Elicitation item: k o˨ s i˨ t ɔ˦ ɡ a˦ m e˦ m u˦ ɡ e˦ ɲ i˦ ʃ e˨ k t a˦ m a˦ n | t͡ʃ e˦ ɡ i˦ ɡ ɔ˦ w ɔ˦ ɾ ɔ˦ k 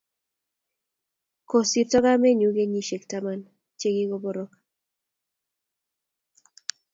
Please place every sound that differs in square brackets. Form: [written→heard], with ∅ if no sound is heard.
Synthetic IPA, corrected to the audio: k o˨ s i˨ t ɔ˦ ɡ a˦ m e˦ [m→ɲ] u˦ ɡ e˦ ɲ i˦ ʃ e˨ k t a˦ m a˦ n | t͡ʃ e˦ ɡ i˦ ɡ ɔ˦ [w→b] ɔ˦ ɾ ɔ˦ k